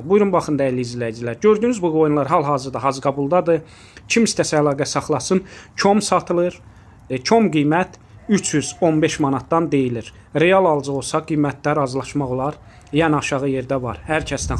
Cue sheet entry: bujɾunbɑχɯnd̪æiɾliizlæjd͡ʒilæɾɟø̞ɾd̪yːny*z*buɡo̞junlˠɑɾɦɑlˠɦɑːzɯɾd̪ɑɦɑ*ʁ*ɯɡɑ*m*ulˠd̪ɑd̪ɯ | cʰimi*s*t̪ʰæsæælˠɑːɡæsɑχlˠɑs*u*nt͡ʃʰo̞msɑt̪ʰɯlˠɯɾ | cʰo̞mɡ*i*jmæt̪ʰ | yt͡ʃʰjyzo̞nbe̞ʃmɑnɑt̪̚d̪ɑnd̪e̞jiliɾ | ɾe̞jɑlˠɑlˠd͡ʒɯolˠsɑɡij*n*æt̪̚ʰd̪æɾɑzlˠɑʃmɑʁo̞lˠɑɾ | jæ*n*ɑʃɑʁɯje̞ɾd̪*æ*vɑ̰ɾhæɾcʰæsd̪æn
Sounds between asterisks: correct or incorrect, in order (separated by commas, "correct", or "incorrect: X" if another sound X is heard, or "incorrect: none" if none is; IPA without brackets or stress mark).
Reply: correct, incorrect: z, incorrect: b, correct, incorrect: ɯ, correct, incorrect: m, correct, correct